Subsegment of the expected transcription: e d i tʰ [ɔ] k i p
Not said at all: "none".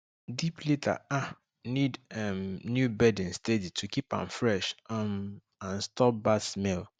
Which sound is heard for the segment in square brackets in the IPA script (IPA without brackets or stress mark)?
u